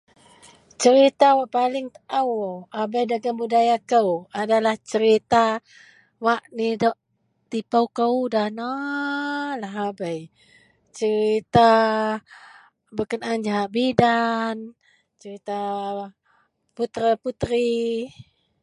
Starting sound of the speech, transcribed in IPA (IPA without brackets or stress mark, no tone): t͡ʃ